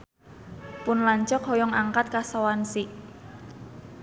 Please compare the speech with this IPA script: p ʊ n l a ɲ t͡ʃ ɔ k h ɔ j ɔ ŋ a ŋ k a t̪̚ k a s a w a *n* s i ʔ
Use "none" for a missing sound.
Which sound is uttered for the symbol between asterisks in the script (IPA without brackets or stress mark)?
n